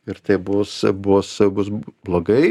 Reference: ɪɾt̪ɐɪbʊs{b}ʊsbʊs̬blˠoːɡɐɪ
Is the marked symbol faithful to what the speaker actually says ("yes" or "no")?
yes